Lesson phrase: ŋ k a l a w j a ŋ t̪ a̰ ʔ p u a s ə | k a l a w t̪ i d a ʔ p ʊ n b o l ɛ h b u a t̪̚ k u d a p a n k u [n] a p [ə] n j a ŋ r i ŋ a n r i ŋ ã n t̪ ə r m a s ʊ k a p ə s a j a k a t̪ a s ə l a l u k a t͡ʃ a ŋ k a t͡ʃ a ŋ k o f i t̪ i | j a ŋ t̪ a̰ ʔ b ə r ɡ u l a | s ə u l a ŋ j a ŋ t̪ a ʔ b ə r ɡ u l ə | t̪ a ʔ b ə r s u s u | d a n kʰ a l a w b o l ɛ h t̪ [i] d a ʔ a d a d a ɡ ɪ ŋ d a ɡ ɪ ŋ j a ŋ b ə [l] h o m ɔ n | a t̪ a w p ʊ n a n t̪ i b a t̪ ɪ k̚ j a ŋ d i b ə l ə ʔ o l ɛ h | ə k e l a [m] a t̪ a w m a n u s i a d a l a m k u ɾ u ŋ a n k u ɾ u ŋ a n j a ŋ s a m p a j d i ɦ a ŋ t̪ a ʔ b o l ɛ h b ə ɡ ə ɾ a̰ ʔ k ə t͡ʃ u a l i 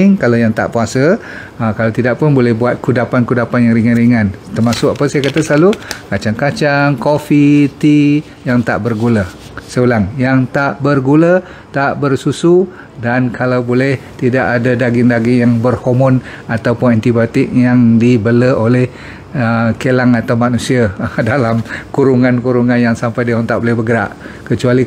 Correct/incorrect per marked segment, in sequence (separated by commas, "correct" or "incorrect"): incorrect, incorrect, correct, incorrect, incorrect